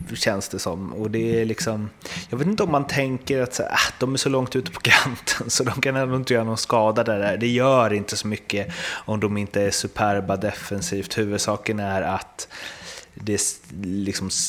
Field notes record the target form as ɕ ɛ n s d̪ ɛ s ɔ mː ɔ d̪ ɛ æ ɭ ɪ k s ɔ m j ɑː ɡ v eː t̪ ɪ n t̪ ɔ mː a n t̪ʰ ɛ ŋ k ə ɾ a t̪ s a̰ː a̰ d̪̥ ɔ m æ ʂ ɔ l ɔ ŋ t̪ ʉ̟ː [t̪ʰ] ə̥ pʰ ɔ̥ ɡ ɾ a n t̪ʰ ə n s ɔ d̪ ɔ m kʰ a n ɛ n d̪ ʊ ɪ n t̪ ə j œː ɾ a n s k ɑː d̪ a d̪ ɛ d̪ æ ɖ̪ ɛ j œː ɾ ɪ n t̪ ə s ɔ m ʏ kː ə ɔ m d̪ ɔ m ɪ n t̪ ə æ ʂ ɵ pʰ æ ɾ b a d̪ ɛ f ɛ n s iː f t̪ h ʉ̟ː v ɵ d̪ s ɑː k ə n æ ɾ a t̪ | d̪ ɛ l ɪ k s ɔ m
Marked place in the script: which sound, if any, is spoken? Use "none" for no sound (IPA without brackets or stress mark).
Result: t̪